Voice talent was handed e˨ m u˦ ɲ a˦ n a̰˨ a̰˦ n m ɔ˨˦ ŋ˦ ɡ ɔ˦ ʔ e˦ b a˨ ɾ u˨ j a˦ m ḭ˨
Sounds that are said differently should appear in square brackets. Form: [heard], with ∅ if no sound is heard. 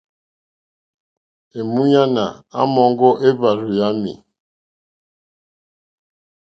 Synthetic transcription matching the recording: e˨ m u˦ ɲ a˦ n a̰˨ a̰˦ [∅] m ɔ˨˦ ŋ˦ ɡ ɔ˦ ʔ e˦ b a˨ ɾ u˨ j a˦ m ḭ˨